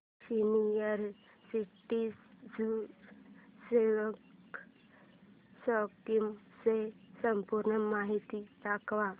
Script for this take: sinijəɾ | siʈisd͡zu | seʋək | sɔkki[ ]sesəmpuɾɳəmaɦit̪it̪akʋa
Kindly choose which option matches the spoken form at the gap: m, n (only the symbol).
m